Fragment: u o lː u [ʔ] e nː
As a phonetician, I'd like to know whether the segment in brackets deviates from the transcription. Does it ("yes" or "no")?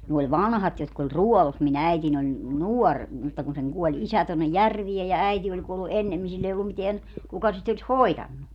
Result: no